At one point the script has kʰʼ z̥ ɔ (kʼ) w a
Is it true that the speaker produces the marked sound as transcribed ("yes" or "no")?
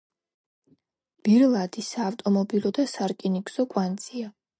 yes